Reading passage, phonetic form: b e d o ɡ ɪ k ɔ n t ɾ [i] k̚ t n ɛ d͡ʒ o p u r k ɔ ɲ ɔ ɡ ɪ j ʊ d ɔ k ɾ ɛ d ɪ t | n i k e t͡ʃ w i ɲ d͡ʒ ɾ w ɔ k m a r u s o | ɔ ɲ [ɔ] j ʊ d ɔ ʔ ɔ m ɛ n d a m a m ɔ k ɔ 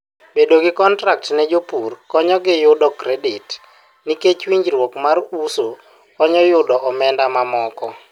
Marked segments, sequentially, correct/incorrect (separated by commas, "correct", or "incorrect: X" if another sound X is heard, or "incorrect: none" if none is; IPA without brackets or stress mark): incorrect: a, correct